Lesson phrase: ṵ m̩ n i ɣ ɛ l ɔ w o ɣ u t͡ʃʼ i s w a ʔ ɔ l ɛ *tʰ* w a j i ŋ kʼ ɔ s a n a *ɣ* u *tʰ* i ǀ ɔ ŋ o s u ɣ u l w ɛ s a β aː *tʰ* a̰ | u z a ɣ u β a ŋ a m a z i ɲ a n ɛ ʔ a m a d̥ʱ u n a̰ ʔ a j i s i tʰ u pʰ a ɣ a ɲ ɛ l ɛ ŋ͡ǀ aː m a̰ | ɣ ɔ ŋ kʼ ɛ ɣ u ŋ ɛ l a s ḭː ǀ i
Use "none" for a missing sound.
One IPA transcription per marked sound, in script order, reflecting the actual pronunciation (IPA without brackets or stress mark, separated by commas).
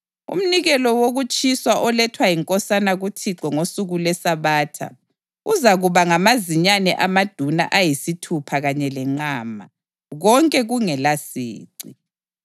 tʰ, ɣ, tʰ, tʰ